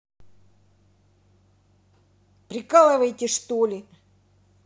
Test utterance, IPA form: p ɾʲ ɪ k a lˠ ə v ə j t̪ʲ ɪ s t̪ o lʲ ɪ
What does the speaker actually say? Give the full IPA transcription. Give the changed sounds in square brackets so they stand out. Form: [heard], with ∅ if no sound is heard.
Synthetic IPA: p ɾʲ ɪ k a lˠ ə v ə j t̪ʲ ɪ [ʂ] t̪ o lʲ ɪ

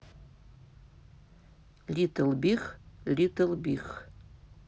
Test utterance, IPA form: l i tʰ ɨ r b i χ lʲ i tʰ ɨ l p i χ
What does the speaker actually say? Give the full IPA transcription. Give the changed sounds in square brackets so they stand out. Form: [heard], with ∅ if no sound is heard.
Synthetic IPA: l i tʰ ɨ [l] b i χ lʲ i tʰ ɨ l [b] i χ

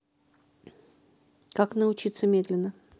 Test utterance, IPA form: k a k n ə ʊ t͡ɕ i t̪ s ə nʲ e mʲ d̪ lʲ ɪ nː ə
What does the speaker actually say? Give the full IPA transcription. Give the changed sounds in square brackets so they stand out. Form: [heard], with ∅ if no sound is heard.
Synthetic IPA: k a k n ə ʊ t͡ɕ i t̪ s ə [mʲ] e [∅] d̪ lʲ ɪ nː ə

